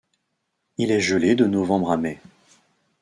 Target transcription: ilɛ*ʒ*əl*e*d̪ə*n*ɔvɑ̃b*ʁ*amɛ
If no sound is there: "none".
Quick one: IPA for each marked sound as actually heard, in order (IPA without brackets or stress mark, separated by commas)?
ʒ, e, n, ʁ